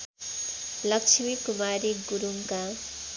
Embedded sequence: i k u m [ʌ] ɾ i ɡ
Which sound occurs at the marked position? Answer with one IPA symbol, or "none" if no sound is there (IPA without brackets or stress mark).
a